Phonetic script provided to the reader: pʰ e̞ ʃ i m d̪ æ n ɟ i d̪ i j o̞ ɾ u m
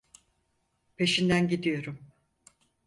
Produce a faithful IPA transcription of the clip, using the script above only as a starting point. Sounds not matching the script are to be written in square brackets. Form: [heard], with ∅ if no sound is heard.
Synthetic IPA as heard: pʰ e̞ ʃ i [n] d̪ æ n ɟ i d̪ i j o̞ ɾ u m